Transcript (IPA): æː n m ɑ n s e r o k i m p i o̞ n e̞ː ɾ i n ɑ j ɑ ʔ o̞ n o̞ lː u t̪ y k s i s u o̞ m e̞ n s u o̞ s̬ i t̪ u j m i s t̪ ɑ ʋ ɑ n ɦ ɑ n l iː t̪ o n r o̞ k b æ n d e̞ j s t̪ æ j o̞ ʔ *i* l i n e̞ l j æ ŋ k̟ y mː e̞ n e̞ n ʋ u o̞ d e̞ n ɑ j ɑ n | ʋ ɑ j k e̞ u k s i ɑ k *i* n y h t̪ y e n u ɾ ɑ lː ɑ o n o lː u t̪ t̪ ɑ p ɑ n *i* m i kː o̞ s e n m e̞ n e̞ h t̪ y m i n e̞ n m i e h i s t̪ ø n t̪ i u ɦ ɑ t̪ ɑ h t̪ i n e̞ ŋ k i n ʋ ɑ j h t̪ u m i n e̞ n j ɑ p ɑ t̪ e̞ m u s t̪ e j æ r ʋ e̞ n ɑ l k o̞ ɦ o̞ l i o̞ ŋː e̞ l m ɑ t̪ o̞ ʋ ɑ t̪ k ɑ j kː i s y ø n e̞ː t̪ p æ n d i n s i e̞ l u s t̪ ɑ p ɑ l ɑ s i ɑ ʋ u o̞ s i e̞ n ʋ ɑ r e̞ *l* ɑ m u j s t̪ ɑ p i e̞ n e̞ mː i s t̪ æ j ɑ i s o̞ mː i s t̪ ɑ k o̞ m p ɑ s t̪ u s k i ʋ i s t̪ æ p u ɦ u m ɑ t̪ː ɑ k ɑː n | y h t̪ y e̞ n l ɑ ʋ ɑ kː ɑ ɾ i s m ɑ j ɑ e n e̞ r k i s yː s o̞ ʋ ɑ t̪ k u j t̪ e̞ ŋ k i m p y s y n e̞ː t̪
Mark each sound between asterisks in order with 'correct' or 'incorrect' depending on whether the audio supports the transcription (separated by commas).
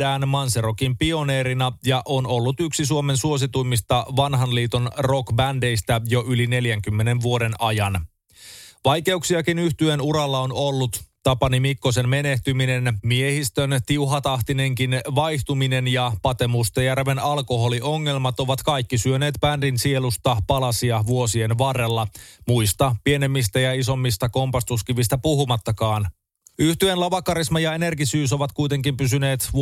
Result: incorrect, correct, correct, incorrect